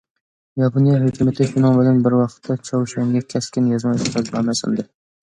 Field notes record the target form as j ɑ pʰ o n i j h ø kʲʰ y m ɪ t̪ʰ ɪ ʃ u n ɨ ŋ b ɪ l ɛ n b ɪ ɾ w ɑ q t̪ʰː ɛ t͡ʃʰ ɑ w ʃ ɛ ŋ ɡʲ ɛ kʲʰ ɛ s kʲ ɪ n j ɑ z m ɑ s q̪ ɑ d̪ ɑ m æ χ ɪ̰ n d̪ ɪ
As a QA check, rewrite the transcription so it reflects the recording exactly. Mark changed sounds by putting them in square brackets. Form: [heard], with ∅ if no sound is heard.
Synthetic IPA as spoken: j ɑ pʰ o n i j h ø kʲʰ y m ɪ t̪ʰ ɪ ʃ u n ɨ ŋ b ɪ l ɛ n b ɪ ɾ w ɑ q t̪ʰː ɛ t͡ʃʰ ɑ w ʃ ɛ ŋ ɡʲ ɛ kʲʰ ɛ s kʲ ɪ n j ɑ z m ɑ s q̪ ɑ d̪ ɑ m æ [s] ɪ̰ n d̪ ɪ